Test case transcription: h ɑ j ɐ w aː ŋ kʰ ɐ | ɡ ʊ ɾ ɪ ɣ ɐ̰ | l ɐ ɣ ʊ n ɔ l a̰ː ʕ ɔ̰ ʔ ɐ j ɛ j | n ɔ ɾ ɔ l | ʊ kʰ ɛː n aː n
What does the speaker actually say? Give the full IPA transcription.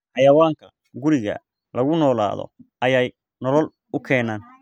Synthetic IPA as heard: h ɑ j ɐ w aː ŋ kʰ ɐ | ɡ ʊ ɾ ɪ ɣ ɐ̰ | l ɐ ɣ ʊ n ɔː l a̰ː ð ɔ̰ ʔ ɐ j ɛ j | n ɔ l ɔ l | ʊ kʰ ɛː n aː n